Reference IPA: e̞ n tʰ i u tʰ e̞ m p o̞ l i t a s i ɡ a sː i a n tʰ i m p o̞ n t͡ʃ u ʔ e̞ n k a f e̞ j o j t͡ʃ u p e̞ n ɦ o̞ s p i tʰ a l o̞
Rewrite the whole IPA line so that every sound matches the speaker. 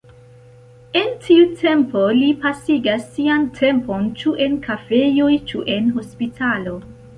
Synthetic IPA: e̞ n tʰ i u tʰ e̞ m p o̞ l i p a s i ɡ a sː i a n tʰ e m p o̞ n t͡ʃ u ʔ e̞ n k a f e̞ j o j t͡ʃ u ʔ e̞ n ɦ o̞ s p i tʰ a l o̞